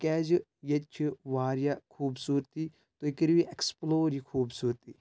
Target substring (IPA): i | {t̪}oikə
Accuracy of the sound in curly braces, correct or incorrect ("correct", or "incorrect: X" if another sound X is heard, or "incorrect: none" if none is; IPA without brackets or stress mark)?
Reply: correct